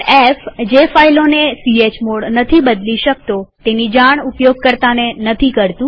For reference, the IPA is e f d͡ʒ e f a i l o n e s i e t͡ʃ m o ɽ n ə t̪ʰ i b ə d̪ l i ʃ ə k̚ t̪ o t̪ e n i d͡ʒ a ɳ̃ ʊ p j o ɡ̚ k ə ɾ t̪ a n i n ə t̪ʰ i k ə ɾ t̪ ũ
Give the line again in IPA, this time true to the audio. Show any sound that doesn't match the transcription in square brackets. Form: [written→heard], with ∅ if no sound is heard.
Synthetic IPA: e f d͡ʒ e f a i l o n e s i e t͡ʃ m o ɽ n ə t̪ʰ i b ə d̪ l i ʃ ə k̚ t̪ o t̪ e n i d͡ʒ a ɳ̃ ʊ p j o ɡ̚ k ə ɾ t̪ a n [i→e] n ə t̪ʰ i k ə ɾ t̪ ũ